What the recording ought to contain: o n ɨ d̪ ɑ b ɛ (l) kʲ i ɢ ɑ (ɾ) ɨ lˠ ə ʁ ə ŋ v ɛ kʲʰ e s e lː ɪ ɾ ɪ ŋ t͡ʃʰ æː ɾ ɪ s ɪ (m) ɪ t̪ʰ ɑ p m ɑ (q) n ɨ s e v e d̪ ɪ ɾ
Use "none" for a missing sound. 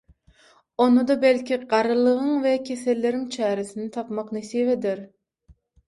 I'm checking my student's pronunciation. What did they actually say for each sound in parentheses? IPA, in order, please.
l, ɾ, n, q

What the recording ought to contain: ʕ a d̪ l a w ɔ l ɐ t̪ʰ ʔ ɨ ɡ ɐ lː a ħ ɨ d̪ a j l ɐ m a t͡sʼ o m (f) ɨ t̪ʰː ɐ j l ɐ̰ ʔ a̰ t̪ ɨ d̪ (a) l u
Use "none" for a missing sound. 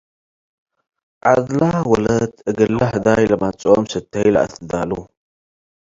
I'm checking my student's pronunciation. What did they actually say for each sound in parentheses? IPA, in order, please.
s, a

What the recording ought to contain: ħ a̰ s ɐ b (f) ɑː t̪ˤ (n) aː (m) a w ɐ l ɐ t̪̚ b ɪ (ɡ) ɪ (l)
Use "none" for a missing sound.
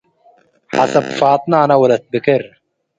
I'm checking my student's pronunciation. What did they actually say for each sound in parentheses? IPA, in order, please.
f, n, n, k, ɾ

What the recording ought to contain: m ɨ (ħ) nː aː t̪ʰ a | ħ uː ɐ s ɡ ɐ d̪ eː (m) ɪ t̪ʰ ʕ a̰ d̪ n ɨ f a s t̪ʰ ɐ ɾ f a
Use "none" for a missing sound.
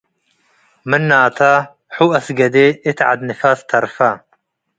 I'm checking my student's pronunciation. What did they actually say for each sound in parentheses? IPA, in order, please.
none, none

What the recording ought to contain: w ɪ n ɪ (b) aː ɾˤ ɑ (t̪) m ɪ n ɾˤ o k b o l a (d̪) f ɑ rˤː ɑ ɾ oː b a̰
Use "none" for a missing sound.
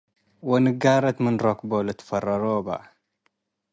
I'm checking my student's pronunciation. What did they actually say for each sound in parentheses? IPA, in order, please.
ɡ, t̪, t̪

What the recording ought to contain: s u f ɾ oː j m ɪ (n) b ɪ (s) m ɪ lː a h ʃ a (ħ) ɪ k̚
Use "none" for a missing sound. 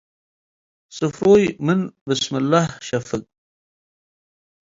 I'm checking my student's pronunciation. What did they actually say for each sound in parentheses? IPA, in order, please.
n, s, f

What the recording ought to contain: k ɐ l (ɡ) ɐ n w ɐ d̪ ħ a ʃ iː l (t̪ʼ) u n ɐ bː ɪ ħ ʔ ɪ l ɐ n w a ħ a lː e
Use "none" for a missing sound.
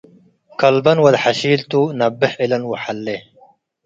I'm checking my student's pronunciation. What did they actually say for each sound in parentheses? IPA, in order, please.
b, t̪

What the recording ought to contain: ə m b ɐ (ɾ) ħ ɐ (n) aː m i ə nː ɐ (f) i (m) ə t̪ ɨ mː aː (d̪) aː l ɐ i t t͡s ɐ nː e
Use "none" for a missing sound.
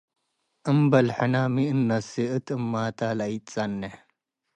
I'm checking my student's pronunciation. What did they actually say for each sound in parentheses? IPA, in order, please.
l, n, s, none, t̪

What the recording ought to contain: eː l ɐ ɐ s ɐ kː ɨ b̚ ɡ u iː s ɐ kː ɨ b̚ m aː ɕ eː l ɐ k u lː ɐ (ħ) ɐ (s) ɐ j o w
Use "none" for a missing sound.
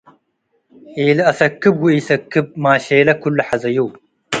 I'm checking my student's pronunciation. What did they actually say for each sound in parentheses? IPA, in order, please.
ħ, z

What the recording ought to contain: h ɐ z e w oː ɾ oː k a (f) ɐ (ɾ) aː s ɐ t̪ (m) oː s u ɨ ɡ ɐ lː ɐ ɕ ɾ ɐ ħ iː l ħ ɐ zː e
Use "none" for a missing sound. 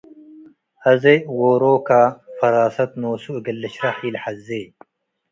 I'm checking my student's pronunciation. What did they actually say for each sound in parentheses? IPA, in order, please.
f, ɾ, n

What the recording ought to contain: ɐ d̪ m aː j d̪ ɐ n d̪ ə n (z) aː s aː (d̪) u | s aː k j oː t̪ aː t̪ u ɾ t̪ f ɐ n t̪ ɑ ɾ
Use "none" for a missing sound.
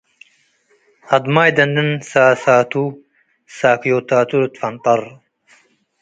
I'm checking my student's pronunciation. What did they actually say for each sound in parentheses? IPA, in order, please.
s, t̪

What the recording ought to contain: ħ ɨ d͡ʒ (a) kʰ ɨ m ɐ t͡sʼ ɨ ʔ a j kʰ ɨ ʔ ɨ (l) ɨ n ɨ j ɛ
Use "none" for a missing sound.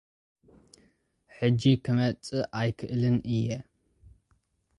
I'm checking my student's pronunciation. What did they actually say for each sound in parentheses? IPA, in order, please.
i, l

